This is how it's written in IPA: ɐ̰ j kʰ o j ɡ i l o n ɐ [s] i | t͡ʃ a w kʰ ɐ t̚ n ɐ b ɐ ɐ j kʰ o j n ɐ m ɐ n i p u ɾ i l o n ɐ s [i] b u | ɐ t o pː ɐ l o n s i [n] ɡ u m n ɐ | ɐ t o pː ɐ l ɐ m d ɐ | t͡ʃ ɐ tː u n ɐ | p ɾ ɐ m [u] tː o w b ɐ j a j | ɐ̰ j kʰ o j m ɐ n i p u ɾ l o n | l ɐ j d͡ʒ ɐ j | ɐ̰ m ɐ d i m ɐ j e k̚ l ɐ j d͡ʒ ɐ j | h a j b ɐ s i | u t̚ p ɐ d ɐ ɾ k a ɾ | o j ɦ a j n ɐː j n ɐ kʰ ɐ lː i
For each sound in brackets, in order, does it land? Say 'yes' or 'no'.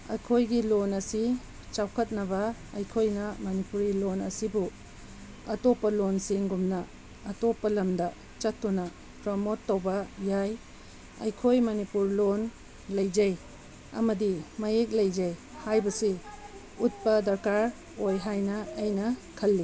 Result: yes, yes, no, no

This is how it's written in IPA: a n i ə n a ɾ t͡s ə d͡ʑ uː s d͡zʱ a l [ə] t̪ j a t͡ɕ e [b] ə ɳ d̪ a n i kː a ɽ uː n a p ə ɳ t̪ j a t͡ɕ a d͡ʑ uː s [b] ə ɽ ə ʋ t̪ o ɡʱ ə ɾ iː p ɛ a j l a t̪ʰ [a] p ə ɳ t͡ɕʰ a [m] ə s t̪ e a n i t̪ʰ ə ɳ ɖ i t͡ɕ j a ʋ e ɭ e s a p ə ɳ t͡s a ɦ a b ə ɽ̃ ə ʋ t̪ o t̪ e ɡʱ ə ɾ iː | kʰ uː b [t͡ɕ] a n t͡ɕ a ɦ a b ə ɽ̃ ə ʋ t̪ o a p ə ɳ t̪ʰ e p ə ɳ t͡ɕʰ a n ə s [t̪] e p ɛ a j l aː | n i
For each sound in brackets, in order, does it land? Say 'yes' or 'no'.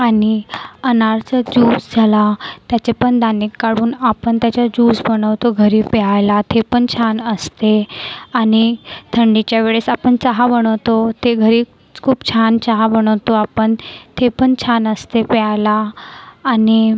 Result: no, no, yes, no, no, no, yes

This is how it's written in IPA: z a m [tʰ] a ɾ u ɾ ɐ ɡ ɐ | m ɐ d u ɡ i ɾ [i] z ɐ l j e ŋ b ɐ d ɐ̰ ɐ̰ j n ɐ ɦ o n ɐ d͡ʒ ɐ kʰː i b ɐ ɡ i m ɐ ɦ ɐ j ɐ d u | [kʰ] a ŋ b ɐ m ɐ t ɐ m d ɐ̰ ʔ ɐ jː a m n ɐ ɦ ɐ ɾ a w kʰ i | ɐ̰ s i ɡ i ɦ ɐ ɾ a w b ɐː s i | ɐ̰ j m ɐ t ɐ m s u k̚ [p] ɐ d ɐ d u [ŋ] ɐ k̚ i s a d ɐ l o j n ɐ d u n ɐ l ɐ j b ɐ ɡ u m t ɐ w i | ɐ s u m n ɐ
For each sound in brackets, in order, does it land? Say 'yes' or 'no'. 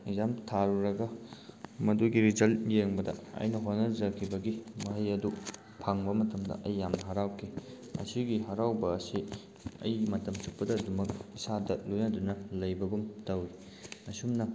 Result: yes, yes, no, yes, no

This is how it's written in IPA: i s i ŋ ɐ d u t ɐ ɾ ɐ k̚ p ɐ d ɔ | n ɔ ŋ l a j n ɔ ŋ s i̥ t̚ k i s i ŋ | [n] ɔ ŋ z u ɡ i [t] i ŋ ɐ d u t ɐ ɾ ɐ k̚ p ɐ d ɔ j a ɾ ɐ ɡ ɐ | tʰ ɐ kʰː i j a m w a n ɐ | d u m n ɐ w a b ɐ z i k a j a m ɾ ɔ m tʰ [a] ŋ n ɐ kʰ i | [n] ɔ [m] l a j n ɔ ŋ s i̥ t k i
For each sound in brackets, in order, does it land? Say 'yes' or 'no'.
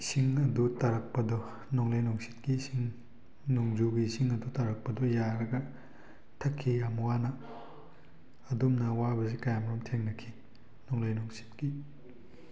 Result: yes, no, no, yes, no

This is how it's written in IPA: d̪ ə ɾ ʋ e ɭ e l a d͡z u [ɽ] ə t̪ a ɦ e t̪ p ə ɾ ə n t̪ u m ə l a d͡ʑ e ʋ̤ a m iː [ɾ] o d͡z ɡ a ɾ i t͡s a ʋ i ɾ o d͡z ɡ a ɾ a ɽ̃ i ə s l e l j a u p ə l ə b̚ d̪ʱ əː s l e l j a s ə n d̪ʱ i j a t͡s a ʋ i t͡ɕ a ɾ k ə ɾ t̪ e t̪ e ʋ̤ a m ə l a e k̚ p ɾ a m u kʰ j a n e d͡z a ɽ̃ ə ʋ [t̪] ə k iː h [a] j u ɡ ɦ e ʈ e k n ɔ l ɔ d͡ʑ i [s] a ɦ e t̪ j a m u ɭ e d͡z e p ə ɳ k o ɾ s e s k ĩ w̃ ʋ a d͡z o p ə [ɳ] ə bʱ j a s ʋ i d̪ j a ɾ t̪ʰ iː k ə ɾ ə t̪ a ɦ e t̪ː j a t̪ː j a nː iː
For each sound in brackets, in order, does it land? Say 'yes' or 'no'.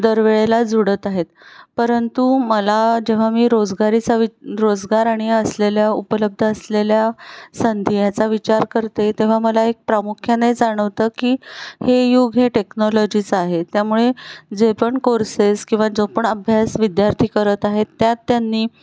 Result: yes, yes, yes, no, no, yes

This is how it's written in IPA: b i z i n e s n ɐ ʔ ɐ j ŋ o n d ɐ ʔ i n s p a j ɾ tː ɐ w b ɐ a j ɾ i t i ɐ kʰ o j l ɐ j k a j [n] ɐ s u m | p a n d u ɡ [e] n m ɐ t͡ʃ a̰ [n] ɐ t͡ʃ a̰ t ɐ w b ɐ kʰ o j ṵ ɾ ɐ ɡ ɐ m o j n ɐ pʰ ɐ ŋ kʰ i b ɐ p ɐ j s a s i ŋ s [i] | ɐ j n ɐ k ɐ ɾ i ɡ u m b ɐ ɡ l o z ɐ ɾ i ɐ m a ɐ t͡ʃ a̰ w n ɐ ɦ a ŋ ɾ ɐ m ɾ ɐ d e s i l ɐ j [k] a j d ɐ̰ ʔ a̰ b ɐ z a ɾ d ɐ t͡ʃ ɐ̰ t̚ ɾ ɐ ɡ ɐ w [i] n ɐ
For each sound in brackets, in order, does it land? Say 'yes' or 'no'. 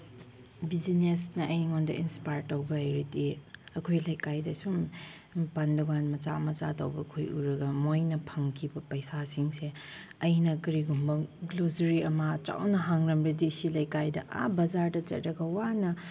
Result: no, no, no, no, yes, no

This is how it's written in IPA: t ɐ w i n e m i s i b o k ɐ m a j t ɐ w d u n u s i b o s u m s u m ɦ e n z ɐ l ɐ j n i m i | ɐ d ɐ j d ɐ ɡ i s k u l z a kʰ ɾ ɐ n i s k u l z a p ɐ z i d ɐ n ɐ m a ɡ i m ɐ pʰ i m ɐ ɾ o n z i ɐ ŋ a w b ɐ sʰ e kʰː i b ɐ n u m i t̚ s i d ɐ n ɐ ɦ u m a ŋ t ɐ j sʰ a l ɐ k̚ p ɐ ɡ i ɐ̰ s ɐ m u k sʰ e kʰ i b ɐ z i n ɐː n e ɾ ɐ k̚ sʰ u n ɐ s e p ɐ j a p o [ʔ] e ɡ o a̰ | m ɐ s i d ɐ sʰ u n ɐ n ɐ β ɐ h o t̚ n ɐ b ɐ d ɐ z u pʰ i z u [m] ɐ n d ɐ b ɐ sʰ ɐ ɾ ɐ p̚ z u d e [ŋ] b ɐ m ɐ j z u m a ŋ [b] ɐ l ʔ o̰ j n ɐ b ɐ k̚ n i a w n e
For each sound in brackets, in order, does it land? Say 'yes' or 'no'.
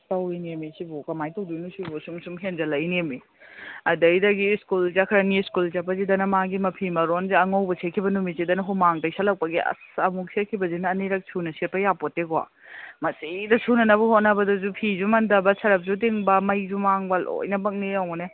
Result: no, yes, yes, yes

